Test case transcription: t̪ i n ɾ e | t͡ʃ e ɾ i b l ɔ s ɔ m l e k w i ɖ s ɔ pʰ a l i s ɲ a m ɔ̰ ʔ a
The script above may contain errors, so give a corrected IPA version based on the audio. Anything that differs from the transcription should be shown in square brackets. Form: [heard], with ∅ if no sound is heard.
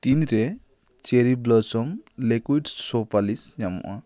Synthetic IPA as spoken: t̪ i n ɾ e | t͡ʃ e ɾ i b l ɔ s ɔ m l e k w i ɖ s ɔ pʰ a l i s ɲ a m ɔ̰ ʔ a

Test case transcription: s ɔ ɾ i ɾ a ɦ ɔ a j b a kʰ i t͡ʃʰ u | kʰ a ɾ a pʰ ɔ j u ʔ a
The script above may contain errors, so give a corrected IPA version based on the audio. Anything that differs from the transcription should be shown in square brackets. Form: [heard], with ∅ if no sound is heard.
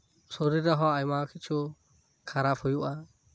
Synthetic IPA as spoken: s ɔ ɾ i ɾ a ɦ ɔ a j [m] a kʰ i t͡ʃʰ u | kʰ a ɾ a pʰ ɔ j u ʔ a

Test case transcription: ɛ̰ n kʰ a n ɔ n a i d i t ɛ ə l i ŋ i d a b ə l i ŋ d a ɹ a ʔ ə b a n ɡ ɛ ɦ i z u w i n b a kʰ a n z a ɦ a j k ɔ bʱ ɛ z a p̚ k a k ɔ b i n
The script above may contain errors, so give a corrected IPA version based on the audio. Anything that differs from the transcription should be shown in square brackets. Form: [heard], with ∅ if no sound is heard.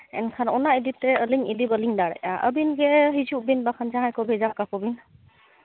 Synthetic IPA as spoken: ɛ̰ n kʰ a n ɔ n a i d i t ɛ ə l i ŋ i d [i] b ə l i ŋ d a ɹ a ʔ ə b [i] n ɡ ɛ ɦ i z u [b] i n b a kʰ a n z a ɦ a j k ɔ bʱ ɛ z a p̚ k a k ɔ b i n

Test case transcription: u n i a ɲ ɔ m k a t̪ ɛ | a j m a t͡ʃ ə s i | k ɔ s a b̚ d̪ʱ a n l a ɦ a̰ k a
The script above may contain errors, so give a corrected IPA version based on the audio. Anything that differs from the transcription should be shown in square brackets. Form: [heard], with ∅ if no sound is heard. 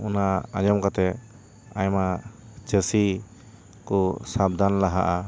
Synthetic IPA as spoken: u n [a] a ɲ ɔ m k a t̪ ɛ | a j m a t͡ʃ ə s i | k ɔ s a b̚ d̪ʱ a n l a ɦ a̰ [ʔ] a

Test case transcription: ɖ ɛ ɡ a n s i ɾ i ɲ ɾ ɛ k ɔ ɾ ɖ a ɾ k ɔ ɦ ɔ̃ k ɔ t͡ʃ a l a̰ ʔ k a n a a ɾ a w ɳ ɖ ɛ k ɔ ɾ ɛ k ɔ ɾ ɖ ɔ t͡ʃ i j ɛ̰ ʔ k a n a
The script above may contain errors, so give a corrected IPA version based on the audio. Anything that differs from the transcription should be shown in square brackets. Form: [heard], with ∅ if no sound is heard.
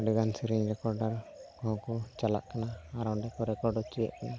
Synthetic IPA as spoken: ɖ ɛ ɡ a n s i ɾ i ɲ ɾ ɛ k ɔ ɾ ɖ a ɾ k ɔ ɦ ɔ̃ k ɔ t͡ʃ a l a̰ ʔ k a n a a ɾ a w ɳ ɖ ɛ k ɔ ɾ ɛ k ɔ ɾ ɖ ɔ t͡ʃ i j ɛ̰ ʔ k a n a

